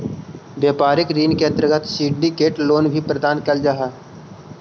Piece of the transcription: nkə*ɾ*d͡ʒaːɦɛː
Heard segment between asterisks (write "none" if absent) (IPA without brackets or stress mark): l